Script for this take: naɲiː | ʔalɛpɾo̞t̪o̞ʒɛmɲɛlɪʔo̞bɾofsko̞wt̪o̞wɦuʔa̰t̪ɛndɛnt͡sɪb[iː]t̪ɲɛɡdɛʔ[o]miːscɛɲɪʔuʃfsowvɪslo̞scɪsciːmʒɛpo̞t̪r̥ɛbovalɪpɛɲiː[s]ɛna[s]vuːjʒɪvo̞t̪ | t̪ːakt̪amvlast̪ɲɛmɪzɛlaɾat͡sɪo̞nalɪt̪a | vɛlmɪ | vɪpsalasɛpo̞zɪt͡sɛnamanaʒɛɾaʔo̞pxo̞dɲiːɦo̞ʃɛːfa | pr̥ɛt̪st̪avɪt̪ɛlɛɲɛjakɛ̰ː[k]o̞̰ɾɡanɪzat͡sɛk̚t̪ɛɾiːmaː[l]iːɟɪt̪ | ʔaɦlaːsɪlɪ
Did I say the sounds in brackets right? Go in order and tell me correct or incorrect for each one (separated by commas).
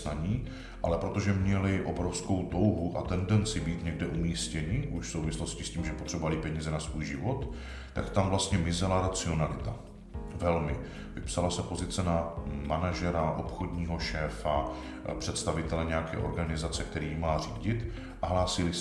correct, incorrect, incorrect, correct, incorrect, incorrect